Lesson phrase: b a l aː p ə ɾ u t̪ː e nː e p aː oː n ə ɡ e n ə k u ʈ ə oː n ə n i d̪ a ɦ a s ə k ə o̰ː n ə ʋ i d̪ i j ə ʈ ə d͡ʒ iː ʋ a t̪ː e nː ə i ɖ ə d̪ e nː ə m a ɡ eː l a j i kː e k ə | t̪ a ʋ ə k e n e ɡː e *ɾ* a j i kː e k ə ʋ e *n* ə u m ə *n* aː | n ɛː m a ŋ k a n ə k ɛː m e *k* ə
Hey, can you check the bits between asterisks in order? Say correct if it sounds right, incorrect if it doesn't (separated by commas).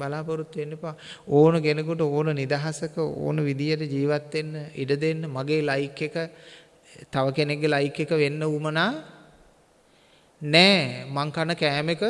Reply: incorrect, incorrect, correct, correct